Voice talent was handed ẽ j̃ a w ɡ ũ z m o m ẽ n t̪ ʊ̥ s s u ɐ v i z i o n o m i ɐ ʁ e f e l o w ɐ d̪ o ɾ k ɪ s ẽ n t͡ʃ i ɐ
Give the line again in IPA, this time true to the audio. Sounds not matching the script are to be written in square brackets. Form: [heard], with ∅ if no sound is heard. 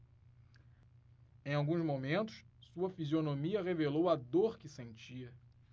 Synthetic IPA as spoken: ẽ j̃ a w ɡ ũ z m o m ẽ n t̪ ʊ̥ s s u ɐ [f] i z i o n o m i ɐ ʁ e [v] e l o w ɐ d̪ o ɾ k ɪ s ẽ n t͡ʃ i ɐ